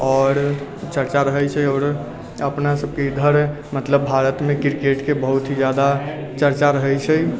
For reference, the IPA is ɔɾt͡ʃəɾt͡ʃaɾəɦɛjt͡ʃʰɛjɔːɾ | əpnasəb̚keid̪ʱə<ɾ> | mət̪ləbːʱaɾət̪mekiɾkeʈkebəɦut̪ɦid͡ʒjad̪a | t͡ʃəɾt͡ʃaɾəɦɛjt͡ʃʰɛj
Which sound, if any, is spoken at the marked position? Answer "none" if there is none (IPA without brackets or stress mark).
ɾ